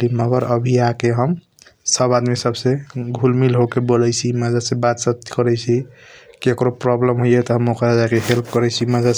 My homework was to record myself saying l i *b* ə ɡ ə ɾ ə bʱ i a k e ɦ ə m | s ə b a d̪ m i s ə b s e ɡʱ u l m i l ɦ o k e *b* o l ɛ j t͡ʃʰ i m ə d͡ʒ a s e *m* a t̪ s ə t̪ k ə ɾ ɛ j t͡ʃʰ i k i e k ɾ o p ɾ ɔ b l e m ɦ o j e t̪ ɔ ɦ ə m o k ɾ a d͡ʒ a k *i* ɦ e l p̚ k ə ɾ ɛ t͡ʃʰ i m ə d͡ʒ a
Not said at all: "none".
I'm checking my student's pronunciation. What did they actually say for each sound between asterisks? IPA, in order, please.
m, b, b, e

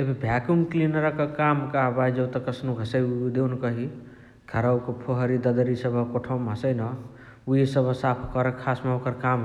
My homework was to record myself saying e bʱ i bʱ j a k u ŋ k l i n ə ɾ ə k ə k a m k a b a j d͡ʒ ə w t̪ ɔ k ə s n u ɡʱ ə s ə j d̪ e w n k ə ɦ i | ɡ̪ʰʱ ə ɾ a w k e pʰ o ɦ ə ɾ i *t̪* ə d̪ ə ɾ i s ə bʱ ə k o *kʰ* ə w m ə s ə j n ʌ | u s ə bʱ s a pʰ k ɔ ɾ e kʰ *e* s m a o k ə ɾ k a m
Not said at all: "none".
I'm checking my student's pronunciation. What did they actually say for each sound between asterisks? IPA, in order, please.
d̪, ʈʰ, a

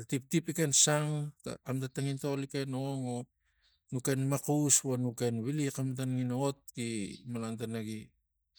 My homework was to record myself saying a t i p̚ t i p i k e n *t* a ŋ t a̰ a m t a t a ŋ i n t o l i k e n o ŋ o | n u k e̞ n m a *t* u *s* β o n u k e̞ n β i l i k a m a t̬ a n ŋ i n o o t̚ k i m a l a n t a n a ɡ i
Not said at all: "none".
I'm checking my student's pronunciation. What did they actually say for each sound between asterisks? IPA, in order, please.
s, k, s

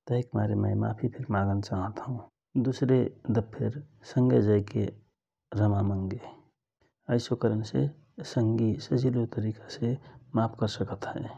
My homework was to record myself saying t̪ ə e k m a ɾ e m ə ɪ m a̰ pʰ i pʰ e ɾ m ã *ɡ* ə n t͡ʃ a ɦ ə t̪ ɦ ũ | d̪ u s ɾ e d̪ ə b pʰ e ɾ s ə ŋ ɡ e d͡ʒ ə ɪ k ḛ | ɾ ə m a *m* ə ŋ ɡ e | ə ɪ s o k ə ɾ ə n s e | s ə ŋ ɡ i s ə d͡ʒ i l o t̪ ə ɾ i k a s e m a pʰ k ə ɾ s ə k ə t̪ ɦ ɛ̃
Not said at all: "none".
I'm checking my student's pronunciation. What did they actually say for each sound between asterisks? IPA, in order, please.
ɡ, m

